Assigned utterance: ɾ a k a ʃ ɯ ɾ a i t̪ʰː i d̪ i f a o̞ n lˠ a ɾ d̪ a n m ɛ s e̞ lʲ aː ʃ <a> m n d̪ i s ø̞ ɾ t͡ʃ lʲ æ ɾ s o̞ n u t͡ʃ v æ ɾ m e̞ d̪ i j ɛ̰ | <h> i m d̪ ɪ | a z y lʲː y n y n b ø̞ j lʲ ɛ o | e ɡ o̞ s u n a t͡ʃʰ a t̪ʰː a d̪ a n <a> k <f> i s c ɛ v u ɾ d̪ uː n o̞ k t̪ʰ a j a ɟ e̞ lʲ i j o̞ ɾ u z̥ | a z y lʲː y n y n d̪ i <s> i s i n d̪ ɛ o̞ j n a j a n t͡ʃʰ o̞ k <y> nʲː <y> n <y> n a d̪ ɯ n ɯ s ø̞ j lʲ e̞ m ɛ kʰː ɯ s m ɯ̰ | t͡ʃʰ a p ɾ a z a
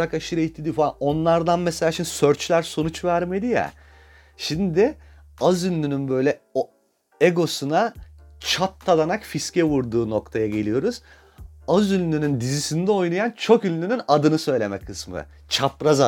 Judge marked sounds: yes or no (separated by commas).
no, no, yes, yes, no, yes, yes, yes